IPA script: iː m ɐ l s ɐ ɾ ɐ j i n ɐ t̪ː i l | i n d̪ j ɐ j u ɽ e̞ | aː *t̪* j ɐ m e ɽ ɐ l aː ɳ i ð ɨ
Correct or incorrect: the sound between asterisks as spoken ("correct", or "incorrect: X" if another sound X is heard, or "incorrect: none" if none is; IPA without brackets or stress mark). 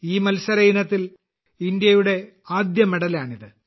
incorrect: d̪